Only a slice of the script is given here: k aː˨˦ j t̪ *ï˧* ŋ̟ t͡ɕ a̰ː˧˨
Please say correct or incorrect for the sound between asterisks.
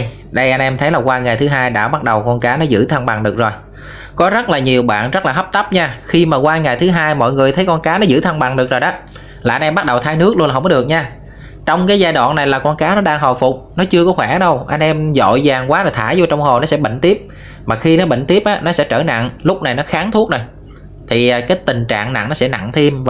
incorrect: ï˨˩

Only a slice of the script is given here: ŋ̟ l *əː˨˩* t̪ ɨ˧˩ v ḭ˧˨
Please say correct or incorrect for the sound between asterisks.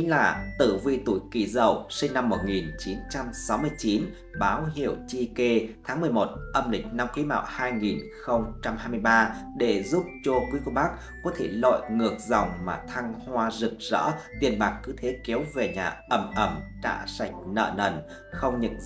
incorrect: aː˨˩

